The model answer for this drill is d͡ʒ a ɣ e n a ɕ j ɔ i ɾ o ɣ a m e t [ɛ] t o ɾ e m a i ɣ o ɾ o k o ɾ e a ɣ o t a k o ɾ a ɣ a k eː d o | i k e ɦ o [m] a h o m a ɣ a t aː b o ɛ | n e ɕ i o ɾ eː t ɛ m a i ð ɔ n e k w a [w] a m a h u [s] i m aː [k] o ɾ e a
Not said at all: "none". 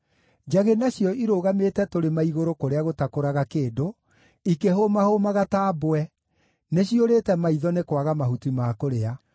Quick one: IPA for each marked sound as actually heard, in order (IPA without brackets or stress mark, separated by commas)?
ɛ, m, ɣ, t, k